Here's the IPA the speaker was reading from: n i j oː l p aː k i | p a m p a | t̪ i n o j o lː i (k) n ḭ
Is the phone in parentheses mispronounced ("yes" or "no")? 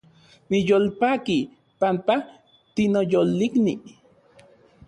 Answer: no